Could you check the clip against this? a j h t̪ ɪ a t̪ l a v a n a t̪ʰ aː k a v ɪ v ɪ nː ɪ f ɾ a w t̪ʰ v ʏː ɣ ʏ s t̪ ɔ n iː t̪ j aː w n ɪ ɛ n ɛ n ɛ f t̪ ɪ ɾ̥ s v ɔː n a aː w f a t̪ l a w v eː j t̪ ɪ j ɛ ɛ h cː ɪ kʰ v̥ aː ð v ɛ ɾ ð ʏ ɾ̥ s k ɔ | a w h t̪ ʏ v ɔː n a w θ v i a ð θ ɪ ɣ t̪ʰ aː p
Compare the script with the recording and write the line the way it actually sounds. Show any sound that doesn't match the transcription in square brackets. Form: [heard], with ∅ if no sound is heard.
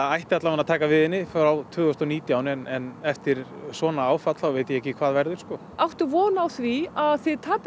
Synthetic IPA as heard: a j h t̪ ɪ a t̪ l a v a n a t̪ʰ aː k a v ɪ [ð] ɪ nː ɪ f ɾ a w t̪ʰ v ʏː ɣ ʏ s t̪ ɔ n iː t̪ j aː w n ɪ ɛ n ɛ n ɛ f t̪ ɪ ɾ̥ s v ɔː n a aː w f a t̪ l a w v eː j t̪ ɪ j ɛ ɛ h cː ɪ kʰ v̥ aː ð v ɛ ɾ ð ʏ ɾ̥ s k ɔ | a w h t̪ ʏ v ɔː n a w θ v i a ð θ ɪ [ð] t̪ʰ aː p

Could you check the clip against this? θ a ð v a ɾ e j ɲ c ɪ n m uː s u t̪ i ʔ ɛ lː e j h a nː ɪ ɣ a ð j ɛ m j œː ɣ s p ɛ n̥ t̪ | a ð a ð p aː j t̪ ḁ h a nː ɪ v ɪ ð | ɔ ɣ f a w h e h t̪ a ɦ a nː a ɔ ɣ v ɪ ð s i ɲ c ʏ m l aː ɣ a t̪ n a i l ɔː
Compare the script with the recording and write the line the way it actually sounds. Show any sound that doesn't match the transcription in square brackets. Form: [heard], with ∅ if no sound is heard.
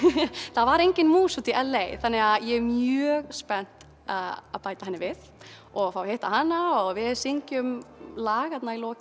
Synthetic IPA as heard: θ a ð v a ɾ e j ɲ c ɪ n m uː s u t̪ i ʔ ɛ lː e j [θ] a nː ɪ ɣ a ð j ɛ m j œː ɣ s p ɛ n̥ t̪ | a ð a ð p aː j t̪ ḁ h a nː ɪ v ɪ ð | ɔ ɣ f a w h e h t̪ a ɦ a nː a ɔ ɣ v ɪ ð s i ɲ c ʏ m l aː ɣ a t̪ n a i l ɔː

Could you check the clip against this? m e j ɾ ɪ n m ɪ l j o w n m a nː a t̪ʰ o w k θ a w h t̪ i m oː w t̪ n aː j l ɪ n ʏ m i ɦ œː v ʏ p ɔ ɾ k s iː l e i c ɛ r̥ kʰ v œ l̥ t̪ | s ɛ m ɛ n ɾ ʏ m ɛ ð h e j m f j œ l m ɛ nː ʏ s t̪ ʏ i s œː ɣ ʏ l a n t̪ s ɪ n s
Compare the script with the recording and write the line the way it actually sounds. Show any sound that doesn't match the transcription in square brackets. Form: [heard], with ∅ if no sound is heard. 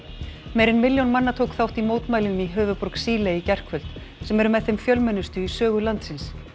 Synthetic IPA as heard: m e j ɾ ɪ n m ɪ l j o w n m a nː a t̪ʰ o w k θ a w h t̪ i m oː w t̪ [m] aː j l ɪ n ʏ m i ɦ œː v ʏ p ɔ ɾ k s iː l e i c ɛ r̥ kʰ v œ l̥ t̪ | s ɛ m ɛ [∅] ɾ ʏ m ɛ ð [θ] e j m f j œ l m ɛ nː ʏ s t̪ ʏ i s œː ɣ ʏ l a n t̪ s ɪ n s

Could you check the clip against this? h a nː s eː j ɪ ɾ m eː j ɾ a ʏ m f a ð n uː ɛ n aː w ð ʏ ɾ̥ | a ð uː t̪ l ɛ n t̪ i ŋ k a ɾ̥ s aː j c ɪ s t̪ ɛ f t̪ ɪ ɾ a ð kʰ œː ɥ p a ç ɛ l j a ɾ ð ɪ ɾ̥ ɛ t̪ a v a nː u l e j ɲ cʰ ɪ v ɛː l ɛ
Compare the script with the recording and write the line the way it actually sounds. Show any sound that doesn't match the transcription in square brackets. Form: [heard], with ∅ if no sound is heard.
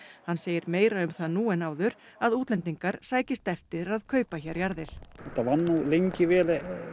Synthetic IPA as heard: h a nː s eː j ɪ ɾ m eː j ɾ a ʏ m [θ] a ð n uː ɛ n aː w ð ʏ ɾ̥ | a ð uː t̪ l ɛ n t̪ i ŋ k a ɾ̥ s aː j c ɪ s t̪ ɛ f t̪ ɪ ɾ a ð kʰ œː ɥ p a ç ɛ [ɾ] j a ɾ ð ɪ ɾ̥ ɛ t̪ a v a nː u l e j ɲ [c] ɪ v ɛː l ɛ

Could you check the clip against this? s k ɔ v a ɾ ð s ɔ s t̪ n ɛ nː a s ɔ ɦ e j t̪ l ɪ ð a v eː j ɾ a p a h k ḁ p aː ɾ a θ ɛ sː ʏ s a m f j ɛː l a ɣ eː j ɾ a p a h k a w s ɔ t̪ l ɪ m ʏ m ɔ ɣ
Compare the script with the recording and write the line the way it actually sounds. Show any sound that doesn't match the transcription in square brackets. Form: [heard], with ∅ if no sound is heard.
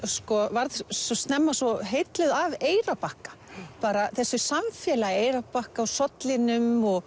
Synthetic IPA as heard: s k ɔ v a ɾ ð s ɔ s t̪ n ɛ [mː] a s ɔ ɦ e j t̪ l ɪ ð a v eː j ɾ a p a h k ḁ p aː ɾ a θ ɛ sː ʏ s a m f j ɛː l a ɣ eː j ɾ a p a h k a w s ɔ t̪ l ɪ [n] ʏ m ɔ ɣ

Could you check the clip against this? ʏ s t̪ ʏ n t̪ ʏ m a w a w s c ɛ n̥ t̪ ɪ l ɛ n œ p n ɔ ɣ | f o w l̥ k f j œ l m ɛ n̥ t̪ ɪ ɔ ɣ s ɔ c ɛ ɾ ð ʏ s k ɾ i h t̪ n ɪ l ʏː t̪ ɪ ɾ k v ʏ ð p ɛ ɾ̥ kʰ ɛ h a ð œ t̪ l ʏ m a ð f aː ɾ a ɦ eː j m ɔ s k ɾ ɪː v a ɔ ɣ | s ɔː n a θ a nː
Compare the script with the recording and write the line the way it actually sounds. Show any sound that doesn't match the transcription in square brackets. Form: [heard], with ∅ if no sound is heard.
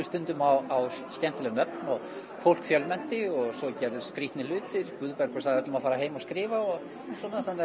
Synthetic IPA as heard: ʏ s t̪ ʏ n t̪ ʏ m a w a w s c ɛ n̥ t̪ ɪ l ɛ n œ p n ɔ ɣ | f o w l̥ k f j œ l m ɛ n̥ t̪ ɪ ɔ ɣ s ɔ c ɛ ɾ ð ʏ s k ɾ i h t̪ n ɪ l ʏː t̪ ɪ ɾ k v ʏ ð p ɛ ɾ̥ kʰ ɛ [s] a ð œ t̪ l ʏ m a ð f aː ɾ a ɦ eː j m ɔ s k ɾ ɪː v a ɔ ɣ | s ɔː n a θ a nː

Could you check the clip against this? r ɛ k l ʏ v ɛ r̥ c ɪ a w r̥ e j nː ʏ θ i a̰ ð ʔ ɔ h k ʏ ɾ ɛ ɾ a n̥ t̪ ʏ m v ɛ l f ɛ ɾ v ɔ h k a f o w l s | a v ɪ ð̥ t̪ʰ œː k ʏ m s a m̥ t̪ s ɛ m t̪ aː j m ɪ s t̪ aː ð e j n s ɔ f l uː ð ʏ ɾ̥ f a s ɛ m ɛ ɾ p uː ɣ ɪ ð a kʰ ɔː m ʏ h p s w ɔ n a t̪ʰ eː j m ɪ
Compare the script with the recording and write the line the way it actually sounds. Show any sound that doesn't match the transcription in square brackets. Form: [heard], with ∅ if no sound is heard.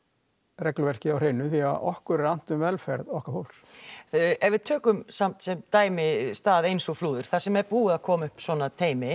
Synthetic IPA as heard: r ɛ k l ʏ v ɛ r̥ c ɪ a w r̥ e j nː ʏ θ i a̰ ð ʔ ɔ h k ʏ ɾ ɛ ɾ a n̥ t̪ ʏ m v ɛ l f ɛ ɾ [ð] ɔ h k a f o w l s | [ɛ] v ɪ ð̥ t̪ʰ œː k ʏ m s a m̥ t̪ s ɛ m t̪ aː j m ɪ s t̪ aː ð e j n s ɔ f l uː ð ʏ ɾ̥ [θ] a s ɛ m ɛ ɾ p uː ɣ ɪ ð a kʰ ɔː m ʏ h p s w ɔ n a t̪ʰ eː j m ɪ

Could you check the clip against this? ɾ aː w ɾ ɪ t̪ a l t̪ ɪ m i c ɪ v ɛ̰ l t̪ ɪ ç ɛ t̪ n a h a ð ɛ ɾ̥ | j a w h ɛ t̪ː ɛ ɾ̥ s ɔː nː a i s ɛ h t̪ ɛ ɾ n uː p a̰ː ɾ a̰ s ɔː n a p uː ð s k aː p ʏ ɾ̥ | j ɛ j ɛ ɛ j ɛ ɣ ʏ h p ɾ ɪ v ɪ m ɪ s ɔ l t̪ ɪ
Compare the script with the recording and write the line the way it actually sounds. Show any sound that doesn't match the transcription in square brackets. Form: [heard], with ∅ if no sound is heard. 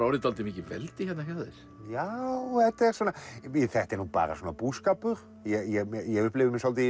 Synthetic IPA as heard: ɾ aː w ɾ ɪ t̪ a l t̪ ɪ m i c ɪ v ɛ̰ l t̪ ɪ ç ɛ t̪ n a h a ð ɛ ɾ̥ | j a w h ɛ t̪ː ɛ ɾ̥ s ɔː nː a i [θ] ɛ h t̪ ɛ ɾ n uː p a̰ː ɾ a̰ s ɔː n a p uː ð s k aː p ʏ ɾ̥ | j ɛ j ɛ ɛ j ɛ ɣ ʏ h p [l] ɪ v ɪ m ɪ s ɔ l t̪ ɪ

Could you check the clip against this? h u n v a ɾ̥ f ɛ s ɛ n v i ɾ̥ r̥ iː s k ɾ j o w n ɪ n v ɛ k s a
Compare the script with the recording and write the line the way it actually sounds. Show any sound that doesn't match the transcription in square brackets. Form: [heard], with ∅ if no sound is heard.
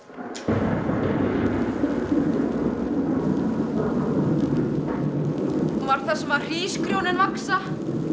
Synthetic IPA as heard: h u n v a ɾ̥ [θ] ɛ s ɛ [m] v [a] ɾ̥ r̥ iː s k ɾ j o w n ɪ n v [a] k s a

